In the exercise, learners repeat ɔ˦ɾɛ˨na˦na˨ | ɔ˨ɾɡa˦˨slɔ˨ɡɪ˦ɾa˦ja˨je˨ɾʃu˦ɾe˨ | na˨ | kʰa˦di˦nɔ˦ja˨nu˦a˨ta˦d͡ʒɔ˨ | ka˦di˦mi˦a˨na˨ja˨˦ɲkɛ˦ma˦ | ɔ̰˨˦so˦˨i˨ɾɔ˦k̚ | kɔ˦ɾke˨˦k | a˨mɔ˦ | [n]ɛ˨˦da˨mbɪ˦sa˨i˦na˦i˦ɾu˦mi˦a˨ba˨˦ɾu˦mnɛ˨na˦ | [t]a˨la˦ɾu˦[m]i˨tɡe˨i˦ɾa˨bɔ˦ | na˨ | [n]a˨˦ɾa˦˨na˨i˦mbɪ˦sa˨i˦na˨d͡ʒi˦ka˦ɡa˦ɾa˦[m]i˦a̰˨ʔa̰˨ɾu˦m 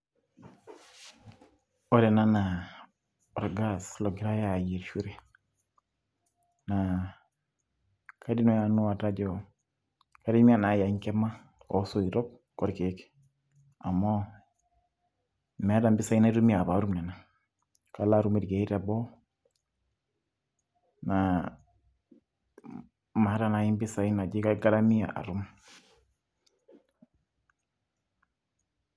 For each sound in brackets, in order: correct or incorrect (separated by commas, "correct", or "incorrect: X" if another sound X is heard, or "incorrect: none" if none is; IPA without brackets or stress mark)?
incorrect: m, incorrect: k, correct, incorrect: m, correct